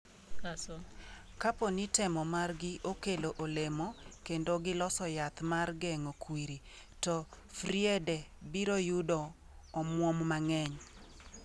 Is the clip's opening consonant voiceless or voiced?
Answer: voiceless